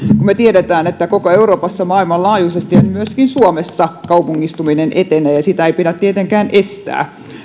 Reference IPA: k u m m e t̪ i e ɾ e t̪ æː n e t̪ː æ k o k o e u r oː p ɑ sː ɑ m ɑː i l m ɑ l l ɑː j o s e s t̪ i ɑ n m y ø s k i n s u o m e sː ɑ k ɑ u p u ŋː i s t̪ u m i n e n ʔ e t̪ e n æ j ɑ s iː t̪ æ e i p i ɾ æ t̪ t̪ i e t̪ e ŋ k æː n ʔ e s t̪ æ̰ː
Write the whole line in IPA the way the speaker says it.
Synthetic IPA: k u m m e t̪ i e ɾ e t̪ æː n e t̪ː æ k o k o e u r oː p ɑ sː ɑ m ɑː i l m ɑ l l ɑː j u s e s t̪ i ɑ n m y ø s k i n s u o m e sː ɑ k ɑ u p u ŋː i s t̪ u m i n e n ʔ e t̪ e n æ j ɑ s i t̪ æ e i p i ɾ æ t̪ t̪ i e t̪ e ŋ k æː n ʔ e s t̪ æ̰ː

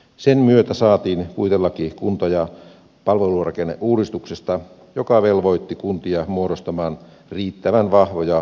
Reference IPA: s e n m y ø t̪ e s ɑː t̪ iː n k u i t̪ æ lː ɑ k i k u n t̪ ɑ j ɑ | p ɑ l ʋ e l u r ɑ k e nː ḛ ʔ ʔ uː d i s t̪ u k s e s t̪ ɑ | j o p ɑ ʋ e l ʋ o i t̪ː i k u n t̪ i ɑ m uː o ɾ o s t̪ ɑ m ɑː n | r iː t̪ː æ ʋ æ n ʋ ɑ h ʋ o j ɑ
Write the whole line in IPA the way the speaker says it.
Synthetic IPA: s e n m y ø t̪ æ s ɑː t̪ iː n k u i t̪ e lː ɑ k i k u n t̪ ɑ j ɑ | p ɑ l ʋ e l u r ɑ k e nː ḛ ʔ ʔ uː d i s t̪ u k s e s t̪ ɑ | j o k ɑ ʋ e l ʋ o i t̪ː i k u n t̪ i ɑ m u o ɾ o s t̪ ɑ m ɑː n | r iː t̪ː æ ʋ æ n ʋ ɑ h ʋ o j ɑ

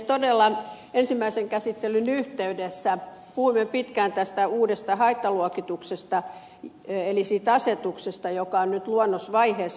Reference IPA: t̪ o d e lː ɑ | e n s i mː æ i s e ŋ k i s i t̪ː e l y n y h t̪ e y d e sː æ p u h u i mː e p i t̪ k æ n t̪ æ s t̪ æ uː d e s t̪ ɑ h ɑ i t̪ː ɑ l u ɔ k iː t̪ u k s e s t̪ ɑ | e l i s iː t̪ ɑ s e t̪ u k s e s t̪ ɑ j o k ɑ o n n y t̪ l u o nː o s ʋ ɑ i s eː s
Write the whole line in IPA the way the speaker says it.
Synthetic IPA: t̪ o d e lː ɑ | e n s i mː æ i s e ŋ k æ s i t̪ː e l y n y h t̪ e y d e sː æ p u h u i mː e p i t̪ k æ n t̪ æ s t̪ æ uː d e s t̪ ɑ h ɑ i t̪ː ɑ l u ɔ k i t̪ u k s e s t̪ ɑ | e l i s iː t̪ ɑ s e t̪ u k s e s t̪ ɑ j o k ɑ o n n y t̪ l u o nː o s ʋ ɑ i h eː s

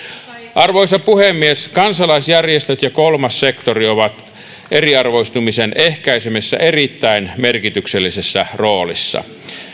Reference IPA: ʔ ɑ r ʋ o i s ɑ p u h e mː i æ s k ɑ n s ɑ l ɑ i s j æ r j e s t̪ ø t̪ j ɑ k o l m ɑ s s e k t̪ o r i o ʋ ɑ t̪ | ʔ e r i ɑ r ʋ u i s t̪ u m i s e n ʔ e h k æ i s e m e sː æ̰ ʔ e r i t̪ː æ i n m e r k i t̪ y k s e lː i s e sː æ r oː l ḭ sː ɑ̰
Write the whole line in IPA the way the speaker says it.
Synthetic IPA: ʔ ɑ r ʋ o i s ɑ p u h e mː i e s k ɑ n s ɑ l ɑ i s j æ r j e s t̪ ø t̪ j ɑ k o l m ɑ s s e k t̪ o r i o ʋ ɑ t̪ | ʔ e r i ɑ r ʋ o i s t̪ u m i s e n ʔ e h k æ i s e m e sː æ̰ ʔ e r i t̪ː æ i n m e r k i t̪ y k s e lː i s e sː æ r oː l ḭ sː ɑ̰

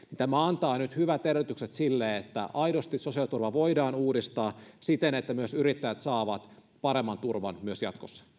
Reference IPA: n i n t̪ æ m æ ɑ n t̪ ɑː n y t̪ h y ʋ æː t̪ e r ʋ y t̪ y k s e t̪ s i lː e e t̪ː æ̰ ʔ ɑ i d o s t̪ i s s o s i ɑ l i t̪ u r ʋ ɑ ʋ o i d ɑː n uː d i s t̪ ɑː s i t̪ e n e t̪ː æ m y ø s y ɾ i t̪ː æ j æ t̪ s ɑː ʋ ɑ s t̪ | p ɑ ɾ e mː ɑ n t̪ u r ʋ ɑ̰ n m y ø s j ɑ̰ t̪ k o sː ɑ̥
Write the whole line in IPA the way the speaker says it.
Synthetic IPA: n i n t̪ æ m æ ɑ n t̪ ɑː n y t̪ h y ʋ æ t̪ e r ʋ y t̪ y k s e t̪ s i lː e e t̪ː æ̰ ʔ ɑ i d o s t̪ i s s o s i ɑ l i t̪ u r ʋ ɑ ʋ o i d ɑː n uː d i s t̪ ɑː s i t̪ e n e t̪ː æ m y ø s y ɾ i t̪ː æ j æ t̪ s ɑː ʋ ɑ t̪ | p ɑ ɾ e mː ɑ n t̪ u r ʋ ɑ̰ n m y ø s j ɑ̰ t̪ k o sː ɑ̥

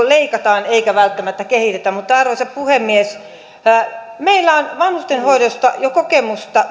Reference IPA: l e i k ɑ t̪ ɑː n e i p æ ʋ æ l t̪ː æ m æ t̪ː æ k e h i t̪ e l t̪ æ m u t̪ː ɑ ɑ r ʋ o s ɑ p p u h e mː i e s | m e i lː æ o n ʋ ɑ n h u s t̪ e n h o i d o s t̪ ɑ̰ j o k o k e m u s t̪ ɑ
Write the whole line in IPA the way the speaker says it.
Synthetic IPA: l e i k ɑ t̪ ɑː n e i k æ ʋ æ l t̪ː æ m æ t̪ː æ k e h i t̪ e t̪ æ m u t̪ː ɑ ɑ r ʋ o s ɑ p p u h e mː i e s | m e i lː æ o n ʋ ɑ n h u s t̪ e n h o i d o s t̪ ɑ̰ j o k o k e m u s t̪ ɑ

